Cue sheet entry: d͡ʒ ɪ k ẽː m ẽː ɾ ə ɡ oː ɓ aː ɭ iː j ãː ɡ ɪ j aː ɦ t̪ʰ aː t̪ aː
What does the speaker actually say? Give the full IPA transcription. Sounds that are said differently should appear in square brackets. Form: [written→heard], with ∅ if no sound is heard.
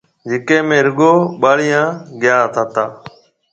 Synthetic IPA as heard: d͡ʒ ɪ k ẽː m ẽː ɾ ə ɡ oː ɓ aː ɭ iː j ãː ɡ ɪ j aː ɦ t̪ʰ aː t̪ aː